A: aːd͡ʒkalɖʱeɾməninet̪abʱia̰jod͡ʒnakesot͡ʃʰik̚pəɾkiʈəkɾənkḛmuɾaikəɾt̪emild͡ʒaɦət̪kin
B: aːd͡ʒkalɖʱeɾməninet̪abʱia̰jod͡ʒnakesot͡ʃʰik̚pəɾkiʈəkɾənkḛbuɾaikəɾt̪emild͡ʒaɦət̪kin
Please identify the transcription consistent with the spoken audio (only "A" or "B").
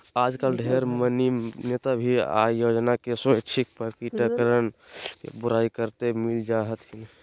B